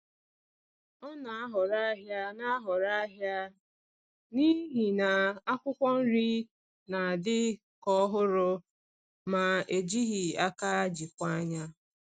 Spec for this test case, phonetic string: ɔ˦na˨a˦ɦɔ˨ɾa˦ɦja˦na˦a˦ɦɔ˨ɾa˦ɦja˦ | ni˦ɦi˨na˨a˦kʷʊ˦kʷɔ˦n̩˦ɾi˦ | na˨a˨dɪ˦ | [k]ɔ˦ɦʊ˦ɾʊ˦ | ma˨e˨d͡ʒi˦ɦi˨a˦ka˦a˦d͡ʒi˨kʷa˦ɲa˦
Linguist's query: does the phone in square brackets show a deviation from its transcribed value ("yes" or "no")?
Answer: no